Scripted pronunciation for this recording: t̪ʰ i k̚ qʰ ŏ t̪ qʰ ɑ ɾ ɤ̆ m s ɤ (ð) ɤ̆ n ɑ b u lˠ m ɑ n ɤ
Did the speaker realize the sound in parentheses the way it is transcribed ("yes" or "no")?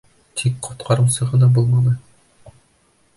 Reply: no